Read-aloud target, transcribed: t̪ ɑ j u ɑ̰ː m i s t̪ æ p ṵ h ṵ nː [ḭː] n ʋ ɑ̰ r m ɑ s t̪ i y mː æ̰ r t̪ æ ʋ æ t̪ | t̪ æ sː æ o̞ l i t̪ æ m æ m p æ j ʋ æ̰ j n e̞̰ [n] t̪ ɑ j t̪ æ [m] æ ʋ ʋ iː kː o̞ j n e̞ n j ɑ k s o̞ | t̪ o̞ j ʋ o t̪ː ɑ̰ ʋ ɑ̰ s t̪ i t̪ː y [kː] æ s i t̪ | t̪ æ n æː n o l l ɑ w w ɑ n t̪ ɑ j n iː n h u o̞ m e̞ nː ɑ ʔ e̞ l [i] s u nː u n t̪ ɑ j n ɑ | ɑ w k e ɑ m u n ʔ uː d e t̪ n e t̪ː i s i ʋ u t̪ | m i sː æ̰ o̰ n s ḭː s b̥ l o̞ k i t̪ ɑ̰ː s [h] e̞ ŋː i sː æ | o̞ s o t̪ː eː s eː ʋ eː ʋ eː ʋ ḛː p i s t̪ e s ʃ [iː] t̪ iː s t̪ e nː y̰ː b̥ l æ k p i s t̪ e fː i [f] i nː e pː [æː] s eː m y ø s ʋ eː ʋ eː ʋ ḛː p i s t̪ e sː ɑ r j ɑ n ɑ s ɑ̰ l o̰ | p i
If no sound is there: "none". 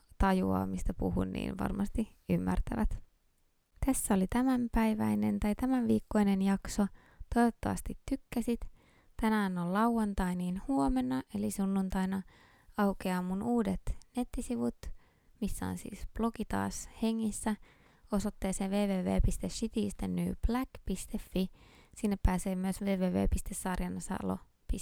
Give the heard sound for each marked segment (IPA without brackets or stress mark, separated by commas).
ḭː, n, m, kː, i, h, i, s, æː